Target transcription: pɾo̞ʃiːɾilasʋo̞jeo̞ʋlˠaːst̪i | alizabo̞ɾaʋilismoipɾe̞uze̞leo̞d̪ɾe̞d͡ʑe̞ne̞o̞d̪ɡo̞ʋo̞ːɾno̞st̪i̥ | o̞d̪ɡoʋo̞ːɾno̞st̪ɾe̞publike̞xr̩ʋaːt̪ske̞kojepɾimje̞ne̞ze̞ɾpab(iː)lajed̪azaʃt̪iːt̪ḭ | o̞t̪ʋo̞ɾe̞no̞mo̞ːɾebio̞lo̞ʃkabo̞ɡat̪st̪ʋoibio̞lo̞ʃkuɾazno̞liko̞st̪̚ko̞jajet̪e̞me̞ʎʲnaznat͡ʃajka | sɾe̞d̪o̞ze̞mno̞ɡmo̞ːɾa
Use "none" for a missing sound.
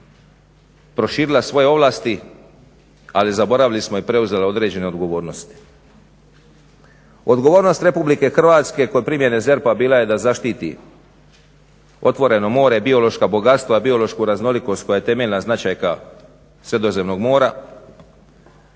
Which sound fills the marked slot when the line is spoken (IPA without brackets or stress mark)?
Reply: iː